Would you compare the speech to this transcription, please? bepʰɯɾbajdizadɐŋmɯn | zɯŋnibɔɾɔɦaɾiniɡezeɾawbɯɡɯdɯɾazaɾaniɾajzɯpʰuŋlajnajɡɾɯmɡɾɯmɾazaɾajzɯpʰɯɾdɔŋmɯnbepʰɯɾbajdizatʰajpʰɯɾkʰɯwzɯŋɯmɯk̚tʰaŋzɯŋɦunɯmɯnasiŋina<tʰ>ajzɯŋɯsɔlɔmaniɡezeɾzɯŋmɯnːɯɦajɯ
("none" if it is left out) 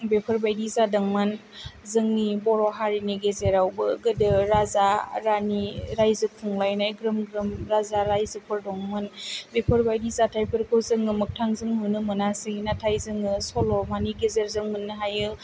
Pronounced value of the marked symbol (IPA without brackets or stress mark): tʰ